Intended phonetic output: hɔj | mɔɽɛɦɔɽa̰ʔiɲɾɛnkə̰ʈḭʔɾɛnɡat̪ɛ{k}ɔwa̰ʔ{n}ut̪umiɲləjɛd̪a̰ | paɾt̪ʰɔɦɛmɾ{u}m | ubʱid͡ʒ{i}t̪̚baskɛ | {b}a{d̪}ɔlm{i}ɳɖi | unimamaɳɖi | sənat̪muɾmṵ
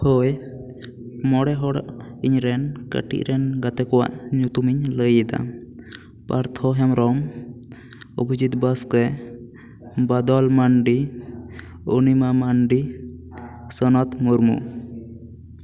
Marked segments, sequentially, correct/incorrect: correct, incorrect: ɲ, incorrect: ɔ, correct, correct, correct, incorrect: a

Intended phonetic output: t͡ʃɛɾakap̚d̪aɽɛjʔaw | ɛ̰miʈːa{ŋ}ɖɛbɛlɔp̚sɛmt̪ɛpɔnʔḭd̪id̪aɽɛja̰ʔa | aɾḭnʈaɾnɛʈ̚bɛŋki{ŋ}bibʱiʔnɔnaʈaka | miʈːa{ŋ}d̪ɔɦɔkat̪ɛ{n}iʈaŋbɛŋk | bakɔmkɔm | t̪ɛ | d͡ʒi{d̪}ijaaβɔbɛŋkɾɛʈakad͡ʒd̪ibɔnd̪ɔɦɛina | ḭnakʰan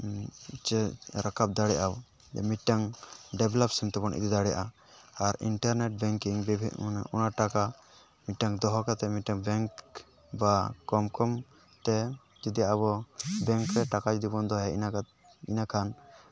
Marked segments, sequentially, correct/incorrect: correct, correct, correct, incorrect: m, correct

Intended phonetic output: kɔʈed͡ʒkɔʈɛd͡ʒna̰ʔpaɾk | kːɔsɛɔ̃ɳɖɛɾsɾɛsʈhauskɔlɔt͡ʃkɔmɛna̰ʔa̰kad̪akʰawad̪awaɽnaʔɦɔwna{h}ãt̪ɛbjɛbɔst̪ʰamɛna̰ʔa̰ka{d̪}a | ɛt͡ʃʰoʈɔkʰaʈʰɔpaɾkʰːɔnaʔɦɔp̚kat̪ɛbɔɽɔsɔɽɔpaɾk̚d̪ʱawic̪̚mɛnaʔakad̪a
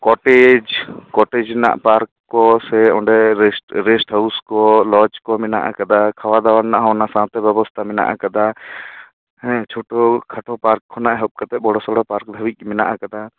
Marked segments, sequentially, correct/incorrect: incorrect: s, correct

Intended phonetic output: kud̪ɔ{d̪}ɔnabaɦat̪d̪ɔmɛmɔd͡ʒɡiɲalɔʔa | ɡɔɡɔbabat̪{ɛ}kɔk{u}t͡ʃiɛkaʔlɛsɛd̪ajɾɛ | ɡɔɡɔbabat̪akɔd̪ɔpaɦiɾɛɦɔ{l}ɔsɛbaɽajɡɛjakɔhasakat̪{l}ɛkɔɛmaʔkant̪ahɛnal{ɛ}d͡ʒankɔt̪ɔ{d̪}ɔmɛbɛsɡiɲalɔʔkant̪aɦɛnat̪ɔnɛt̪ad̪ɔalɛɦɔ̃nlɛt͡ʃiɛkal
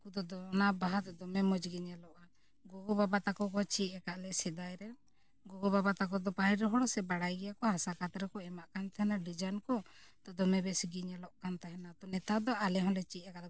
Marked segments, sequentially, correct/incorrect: correct, incorrect: a, incorrect: ɔ, incorrect: ɽ, incorrect: ɾ, incorrect: i, correct

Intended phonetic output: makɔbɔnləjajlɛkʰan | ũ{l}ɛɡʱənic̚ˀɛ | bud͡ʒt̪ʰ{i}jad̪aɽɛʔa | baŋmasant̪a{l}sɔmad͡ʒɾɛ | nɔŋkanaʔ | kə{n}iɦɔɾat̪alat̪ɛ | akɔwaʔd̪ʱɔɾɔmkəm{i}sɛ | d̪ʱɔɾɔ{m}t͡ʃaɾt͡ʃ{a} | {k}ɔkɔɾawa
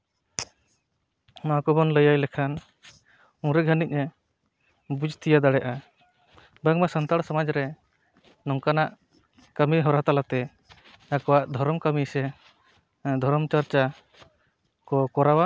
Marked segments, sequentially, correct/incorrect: incorrect: ɾ, correct, incorrect: ɽ, incorrect: m, correct, correct, correct, correct

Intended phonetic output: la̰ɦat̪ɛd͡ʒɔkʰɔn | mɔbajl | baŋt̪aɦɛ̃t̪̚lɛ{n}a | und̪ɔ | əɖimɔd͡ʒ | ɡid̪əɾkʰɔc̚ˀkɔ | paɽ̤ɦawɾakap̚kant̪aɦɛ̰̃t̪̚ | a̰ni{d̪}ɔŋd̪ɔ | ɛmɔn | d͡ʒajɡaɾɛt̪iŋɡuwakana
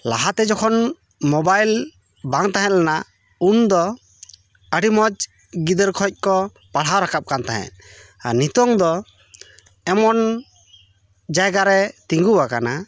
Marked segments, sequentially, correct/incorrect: correct, incorrect: t̪

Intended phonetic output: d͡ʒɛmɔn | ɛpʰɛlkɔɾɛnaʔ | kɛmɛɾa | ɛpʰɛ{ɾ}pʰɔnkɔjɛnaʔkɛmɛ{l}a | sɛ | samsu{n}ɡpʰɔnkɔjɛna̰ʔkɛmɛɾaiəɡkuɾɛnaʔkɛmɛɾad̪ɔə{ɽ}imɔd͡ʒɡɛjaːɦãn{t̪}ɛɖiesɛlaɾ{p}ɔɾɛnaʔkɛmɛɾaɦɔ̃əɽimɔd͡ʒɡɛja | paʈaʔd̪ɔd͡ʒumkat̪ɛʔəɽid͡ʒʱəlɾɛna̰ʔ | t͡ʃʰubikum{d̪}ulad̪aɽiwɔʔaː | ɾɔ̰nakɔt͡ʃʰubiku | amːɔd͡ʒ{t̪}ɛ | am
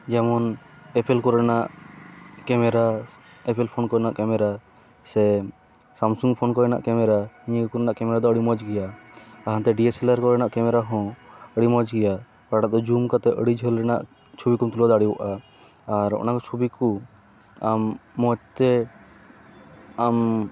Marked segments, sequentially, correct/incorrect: incorrect: l, incorrect: ɾ, incorrect: ŋ, correct, correct, incorrect: k, incorrect: t̪, correct

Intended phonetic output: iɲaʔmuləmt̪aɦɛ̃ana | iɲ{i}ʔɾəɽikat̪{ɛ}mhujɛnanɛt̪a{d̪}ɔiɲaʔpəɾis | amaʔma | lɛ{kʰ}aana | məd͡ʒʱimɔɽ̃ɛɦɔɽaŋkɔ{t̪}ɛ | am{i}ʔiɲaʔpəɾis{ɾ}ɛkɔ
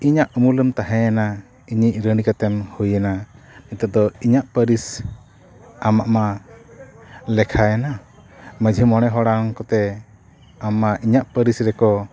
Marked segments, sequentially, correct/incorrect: correct, correct, correct, correct, correct, incorrect: a, correct

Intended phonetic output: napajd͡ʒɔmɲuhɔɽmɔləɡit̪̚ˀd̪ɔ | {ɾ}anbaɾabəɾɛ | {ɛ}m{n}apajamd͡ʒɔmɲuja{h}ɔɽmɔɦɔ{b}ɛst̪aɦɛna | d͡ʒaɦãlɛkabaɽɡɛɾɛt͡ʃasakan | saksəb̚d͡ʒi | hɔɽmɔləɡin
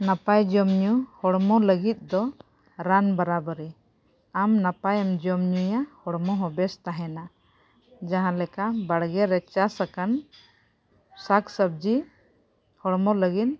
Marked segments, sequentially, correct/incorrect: correct, incorrect: a, correct, correct, correct

